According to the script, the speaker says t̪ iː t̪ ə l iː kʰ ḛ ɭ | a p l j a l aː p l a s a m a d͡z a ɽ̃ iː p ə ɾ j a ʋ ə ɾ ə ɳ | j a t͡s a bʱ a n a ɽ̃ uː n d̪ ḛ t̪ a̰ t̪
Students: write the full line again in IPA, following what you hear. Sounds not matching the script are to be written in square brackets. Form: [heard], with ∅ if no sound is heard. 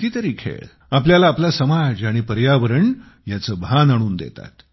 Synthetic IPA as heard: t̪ iː t̪ ə [ɾ] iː kʰ ḛ ɭ | a p l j a l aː p l a s [ə] m a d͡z a ɽ̃ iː p ə ɾ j a ʋ ə ɾ ə ɳ | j a t͡s [ə] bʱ a n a ɽ̃ uː n d̪ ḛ t̪ a̰ t̪

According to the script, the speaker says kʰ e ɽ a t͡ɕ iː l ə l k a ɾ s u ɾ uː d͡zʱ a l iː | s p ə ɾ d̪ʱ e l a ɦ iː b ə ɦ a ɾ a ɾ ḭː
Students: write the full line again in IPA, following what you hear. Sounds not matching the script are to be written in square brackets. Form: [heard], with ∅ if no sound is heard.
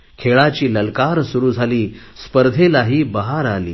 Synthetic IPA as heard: kʰ e [ɭ] a t͡ɕ iː l ə l k a ɾ s u ɾ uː d͡zʱ a l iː | s p ə ɾ d̪ʱ e l a ɦ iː b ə ɦ a ɾ a [l] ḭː

